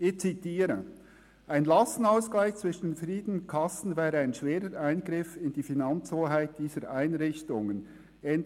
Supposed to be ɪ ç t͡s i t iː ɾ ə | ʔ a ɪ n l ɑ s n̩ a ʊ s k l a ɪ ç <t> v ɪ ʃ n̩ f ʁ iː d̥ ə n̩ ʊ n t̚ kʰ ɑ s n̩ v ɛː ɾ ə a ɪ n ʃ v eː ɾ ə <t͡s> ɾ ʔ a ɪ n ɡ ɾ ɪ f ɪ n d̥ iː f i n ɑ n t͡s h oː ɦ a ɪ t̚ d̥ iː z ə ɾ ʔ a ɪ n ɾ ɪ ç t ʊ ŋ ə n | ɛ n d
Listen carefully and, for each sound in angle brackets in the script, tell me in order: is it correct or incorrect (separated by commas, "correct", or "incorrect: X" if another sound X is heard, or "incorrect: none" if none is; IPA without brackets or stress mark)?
incorrect: t͡s, incorrect: none